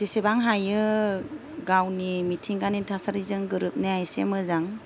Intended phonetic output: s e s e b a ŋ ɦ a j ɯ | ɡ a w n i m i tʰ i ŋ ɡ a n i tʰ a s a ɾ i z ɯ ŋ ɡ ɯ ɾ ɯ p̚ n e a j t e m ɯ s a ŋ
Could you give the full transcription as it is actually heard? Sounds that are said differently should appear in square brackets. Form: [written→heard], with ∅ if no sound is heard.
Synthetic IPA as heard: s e s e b a ŋ ɦ a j ɯ | ɡ a w n i m i tʰ i ŋ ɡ a n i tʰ a s a ɾ i z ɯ ŋ ɡ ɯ ɾ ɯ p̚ n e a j [t→s] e m ɯ [s→z] a ŋ